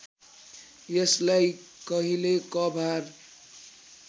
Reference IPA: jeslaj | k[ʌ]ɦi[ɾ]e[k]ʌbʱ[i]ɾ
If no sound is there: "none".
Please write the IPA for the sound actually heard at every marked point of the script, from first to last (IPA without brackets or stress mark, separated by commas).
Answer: ʌ, l, k, a